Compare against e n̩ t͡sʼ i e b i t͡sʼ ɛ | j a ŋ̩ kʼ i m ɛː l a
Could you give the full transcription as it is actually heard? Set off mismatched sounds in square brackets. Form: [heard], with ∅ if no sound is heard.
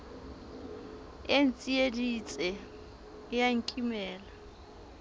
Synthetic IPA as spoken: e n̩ t͡sʼ i e [d] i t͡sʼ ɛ | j a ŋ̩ kʼ i m ɛː l a